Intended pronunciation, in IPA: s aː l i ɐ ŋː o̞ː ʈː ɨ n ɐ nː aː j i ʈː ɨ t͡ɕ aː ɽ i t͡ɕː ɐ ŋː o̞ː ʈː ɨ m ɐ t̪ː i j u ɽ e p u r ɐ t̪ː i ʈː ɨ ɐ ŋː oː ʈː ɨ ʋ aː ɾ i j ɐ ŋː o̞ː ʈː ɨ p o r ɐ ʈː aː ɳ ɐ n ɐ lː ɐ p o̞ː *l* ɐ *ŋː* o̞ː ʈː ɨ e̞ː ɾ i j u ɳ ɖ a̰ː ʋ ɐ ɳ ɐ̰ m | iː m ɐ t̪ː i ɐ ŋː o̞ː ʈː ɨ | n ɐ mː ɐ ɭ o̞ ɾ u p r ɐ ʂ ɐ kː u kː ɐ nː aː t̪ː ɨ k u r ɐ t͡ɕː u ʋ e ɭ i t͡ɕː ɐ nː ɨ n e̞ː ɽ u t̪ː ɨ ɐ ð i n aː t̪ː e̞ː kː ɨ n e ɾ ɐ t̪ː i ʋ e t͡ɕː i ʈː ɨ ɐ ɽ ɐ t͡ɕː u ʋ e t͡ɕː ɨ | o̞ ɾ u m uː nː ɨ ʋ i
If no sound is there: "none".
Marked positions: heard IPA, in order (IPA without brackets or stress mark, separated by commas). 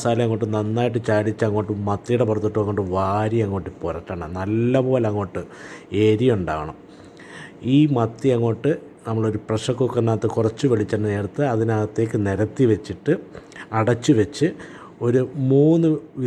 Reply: l, ŋː